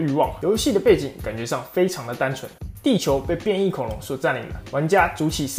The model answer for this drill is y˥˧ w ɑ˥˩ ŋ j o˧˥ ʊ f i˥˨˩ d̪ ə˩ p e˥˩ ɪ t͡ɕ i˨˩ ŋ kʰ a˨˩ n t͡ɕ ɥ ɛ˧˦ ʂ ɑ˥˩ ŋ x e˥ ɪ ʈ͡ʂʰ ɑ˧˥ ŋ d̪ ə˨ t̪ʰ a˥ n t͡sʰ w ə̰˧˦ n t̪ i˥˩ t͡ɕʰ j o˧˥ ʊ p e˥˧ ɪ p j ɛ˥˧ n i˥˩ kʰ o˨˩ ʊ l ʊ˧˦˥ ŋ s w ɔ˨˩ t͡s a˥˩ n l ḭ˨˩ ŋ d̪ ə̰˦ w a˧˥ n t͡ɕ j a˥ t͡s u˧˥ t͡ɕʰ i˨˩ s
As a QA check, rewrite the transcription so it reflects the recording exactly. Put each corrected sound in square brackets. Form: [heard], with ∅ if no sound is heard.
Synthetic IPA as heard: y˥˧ w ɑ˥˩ ŋ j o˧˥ ʊ [ɕ] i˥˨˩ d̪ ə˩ p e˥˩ ɪ t͡ɕ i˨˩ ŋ [k] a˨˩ n t͡ɕ ɥ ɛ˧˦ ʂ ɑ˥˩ ŋ [f] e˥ ɪ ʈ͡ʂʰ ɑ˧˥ ŋ d̪ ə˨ [t̪] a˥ n t͡sʰ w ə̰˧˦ n t̪ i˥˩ t͡ɕʰ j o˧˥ ʊ p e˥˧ ɪ p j ɛ˥˧ n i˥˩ kʰ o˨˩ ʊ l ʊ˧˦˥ ŋ s w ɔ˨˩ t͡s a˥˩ n l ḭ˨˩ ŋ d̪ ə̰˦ w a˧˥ n t͡ɕ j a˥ t͡s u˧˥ t͡ɕʰ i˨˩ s